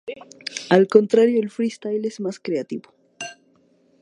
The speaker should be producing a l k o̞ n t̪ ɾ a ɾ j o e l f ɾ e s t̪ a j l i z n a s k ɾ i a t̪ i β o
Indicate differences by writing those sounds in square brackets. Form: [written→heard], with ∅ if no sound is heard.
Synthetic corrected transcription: a l k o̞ n t̪ ɾ a ɾ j o e l f ɾ [e→i] s t̪ a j l [i→e] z [n→m] a s k ɾ [i→e] a t̪ i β o